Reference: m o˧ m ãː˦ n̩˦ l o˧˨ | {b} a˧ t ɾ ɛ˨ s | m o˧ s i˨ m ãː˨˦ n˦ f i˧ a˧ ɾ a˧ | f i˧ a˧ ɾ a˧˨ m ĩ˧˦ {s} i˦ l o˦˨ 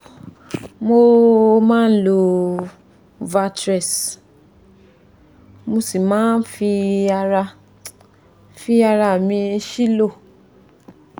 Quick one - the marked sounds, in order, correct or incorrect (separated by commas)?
incorrect, incorrect